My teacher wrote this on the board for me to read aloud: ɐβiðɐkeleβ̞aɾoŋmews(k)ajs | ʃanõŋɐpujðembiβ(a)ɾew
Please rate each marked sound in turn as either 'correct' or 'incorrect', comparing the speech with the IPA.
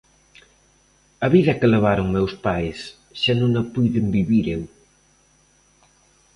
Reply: incorrect: p, incorrect: i

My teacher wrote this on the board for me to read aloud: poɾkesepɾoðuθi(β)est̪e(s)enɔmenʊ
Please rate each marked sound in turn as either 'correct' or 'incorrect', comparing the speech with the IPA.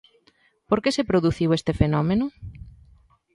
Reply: incorrect: w, incorrect: f

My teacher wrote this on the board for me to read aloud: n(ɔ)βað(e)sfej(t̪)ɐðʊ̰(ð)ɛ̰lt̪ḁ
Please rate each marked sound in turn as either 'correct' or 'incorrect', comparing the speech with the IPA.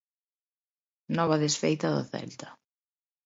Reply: correct, correct, correct, incorrect: θ

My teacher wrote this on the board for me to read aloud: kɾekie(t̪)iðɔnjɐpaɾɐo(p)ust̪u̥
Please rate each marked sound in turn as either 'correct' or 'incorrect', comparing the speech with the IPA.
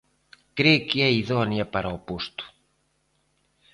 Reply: incorrect: none, correct

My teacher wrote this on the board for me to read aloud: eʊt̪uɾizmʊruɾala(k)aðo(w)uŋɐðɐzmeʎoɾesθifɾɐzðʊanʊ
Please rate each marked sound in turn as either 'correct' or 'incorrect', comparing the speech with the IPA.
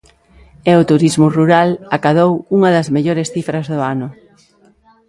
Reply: correct, correct

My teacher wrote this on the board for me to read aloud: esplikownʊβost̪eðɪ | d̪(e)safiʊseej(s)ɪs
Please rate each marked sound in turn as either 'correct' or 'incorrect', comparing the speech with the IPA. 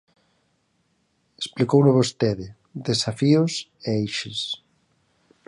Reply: correct, incorrect: ʃ

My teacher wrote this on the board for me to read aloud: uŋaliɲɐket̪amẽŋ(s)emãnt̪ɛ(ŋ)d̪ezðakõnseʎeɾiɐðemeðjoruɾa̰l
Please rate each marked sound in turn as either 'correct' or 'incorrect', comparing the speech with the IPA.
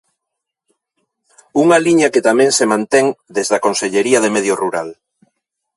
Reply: correct, correct

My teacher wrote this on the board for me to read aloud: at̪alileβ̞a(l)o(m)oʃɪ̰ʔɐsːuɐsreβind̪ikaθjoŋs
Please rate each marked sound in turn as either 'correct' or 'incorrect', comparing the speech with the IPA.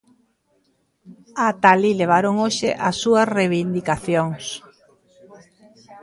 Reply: incorrect: ɾ, incorrect: ŋ

